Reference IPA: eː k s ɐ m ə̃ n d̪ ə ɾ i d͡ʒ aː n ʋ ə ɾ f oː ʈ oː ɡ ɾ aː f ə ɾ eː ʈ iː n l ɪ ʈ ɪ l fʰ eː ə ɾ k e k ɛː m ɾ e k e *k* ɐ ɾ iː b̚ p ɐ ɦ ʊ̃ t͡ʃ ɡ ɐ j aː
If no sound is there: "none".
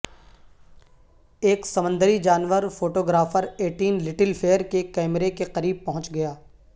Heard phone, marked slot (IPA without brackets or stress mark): q